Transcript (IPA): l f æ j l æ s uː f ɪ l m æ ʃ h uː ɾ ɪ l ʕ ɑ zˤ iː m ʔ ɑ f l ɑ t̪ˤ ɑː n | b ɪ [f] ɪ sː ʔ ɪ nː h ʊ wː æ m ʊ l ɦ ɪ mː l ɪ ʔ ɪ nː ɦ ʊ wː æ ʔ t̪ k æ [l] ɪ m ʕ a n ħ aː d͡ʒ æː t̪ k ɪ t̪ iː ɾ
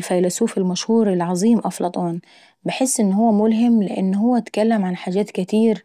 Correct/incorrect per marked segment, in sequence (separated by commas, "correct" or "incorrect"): incorrect, incorrect